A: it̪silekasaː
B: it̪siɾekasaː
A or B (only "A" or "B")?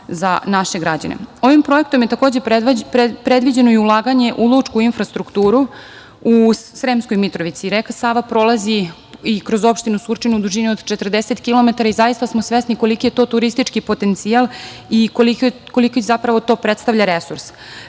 B